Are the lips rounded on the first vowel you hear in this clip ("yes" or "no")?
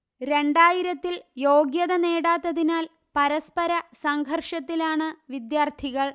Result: no